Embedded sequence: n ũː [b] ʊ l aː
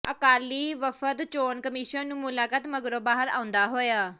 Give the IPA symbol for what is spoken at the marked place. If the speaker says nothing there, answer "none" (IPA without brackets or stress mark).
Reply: m